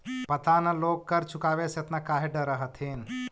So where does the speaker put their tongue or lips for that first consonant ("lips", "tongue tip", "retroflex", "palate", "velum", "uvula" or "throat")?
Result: lips